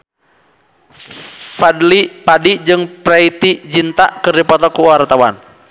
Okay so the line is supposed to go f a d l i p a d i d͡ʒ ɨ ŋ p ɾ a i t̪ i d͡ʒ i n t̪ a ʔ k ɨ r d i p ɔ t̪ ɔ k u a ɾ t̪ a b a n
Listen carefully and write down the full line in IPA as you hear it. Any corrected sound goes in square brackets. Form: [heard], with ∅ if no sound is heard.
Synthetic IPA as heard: f a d l i p a d i d͡ʒ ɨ ŋ p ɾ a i t̪ i d͡ʒ i n t̪ a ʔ k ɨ r d i p ɔ t̪ ɔ k u a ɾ t̪ a [w] a n